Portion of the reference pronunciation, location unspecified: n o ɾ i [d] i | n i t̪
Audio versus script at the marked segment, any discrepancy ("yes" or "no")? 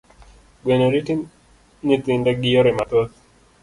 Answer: yes